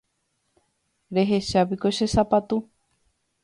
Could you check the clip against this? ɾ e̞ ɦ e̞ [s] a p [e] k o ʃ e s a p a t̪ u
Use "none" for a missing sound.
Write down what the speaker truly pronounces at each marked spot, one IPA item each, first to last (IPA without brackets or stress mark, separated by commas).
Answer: ʃ, i